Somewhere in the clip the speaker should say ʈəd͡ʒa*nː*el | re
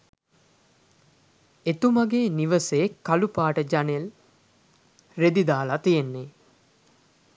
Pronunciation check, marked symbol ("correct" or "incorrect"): incorrect